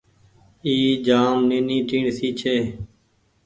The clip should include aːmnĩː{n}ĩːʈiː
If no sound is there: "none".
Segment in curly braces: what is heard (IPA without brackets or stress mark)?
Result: n